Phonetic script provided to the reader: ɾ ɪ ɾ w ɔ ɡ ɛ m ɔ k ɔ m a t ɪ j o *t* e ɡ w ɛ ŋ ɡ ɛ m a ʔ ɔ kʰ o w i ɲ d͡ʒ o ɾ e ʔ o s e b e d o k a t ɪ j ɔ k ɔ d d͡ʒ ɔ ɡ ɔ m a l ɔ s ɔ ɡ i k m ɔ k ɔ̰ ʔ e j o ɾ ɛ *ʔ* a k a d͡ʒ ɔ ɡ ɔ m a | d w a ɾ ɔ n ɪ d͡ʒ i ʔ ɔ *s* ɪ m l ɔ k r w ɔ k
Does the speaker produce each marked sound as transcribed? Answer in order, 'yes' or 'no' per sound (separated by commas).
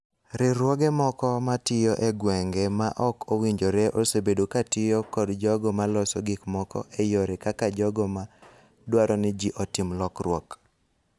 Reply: no, no, no